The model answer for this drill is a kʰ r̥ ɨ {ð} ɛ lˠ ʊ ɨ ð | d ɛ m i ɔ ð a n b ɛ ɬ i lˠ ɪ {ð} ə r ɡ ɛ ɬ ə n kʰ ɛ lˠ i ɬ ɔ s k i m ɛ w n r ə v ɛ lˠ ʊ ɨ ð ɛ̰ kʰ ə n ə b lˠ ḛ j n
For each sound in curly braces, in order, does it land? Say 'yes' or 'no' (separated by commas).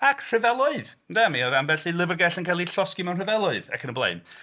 no, no